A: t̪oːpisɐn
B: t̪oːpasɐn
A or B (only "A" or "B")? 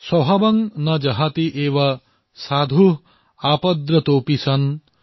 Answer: A